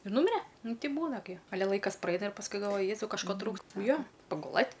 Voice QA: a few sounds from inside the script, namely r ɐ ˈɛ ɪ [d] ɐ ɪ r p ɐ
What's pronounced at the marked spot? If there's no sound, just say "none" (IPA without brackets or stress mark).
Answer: n